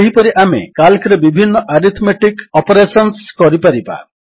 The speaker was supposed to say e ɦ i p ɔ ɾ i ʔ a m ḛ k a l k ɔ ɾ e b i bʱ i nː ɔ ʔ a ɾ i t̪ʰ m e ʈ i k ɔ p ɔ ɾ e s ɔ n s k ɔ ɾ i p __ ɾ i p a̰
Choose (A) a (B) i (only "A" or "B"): A